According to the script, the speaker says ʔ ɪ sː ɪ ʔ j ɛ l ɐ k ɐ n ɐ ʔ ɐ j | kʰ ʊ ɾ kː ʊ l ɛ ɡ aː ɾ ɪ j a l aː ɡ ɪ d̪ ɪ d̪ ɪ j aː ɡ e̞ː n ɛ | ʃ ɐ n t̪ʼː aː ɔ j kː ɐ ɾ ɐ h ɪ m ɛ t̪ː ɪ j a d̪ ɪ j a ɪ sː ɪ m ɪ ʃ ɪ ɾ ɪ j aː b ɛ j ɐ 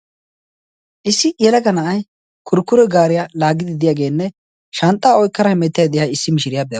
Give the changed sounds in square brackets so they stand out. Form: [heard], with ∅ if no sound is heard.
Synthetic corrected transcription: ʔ ɪ sː ɪ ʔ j ɛ l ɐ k ɐ n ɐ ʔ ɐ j | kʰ ʊ ɾ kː ʊ [ɾ] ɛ ɡ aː ɾ ɪ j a l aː ɡ ɪ d̪ ɪ d̪ ɪ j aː ɡ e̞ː [nː] ɛ | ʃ ɐ n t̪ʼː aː ɔ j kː ɐ ɾ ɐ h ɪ m ɛ t̪ː ɪ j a d̪ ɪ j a ɪ sː ɪ m ɪ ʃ ɪ ɾ ɪ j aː b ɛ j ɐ